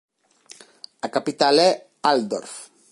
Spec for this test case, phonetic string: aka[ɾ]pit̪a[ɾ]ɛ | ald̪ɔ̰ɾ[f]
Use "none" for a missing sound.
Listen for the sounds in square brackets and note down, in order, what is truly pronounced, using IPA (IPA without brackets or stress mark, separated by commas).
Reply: none, l, f